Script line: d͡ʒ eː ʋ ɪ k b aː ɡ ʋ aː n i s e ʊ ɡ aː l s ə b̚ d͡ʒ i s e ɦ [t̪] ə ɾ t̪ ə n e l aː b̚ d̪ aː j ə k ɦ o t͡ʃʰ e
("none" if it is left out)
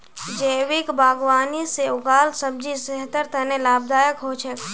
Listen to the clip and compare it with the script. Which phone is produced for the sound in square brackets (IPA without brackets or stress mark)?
t̪